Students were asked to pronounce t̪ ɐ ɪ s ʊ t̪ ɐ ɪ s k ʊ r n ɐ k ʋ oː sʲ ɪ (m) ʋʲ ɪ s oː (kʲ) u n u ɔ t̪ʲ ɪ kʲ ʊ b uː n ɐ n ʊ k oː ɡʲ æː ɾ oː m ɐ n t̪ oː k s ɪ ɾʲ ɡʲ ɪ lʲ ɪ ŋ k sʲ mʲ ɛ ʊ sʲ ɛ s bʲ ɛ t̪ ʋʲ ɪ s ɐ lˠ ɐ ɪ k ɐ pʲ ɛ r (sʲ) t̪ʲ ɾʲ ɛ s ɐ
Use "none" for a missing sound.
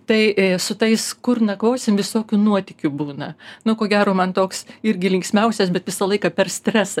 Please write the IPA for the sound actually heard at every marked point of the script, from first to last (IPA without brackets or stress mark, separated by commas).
m, kʲ, sʲ